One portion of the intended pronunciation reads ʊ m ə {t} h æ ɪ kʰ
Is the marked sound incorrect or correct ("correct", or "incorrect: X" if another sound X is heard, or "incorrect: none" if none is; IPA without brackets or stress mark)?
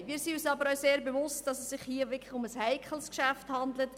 incorrect: s